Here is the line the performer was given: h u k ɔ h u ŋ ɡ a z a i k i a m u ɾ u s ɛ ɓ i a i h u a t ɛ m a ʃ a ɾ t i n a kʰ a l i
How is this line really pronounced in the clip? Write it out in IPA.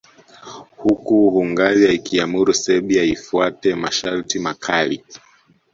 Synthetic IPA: h u k u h u ŋ ɡ a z a i k i a m u ɾ u s ɛ ɓ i a i f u a t ɛ m a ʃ a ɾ t i m a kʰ a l i